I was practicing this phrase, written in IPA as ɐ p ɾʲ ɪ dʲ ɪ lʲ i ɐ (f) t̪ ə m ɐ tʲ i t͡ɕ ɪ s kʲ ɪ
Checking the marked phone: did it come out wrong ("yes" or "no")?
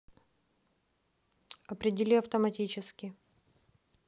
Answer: no